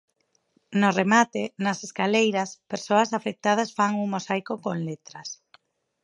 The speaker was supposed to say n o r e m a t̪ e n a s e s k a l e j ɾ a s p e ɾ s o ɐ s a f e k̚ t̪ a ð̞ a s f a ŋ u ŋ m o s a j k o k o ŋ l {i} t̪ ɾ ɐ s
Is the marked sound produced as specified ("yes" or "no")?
no